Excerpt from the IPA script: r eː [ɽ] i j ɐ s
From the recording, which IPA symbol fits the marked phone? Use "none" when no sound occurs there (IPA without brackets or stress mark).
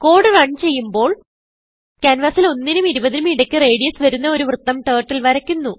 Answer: ɽ